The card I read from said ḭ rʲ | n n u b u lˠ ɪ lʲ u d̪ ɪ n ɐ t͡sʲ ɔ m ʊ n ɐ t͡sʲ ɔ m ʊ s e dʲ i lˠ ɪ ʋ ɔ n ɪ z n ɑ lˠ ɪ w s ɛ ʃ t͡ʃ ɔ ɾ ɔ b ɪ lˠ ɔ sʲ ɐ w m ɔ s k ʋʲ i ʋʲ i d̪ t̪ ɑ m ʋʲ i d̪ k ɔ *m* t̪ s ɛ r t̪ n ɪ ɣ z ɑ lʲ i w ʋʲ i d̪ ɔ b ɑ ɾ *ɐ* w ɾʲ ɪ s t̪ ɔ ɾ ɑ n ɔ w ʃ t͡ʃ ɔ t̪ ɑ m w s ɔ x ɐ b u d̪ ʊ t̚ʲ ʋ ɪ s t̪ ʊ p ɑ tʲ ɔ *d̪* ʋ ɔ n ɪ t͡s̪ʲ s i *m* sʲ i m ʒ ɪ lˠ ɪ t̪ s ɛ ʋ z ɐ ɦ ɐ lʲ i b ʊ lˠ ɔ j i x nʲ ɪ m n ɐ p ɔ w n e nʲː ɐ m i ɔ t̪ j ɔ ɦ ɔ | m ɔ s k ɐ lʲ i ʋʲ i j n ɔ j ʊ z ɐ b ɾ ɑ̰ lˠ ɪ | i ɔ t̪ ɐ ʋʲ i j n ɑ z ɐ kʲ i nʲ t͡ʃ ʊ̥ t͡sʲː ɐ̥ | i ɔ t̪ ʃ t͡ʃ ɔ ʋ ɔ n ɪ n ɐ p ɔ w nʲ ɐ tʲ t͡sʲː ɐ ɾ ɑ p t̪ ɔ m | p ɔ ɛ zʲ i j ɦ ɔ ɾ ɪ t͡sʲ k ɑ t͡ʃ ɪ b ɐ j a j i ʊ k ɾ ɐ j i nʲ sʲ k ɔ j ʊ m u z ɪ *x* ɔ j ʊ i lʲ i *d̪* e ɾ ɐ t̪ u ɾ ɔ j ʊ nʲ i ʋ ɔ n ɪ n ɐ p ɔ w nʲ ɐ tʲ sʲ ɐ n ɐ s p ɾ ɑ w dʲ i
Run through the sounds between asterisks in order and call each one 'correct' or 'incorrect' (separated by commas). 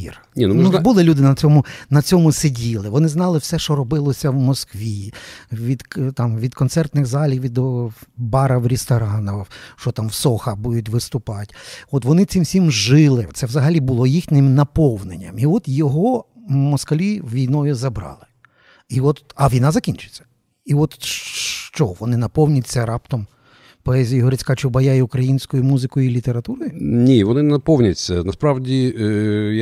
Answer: incorrect, correct, incorrect, correct, incorrect, incorrect